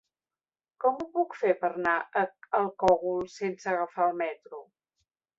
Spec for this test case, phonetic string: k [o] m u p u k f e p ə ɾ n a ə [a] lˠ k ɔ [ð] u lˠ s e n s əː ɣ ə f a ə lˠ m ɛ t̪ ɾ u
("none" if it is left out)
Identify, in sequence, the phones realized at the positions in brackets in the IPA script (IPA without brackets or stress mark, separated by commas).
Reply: ɔ, ə, ɣ